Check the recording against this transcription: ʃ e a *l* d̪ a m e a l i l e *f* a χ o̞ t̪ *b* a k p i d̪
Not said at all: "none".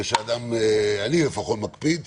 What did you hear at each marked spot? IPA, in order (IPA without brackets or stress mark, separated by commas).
none, f, m